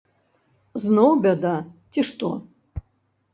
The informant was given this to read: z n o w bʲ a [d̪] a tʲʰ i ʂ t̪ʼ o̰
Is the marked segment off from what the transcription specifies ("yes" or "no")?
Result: no